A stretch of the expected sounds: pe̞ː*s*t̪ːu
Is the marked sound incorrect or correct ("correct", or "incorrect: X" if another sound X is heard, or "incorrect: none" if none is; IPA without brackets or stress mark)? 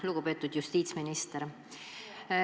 incorrect: none